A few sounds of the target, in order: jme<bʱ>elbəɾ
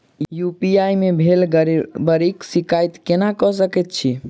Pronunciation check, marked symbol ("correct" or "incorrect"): correct